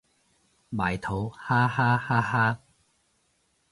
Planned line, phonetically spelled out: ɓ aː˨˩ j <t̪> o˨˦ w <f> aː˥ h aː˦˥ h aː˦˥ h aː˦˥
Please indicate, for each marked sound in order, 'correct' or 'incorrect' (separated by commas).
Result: incorrect, incorrect